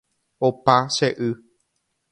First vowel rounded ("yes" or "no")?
yes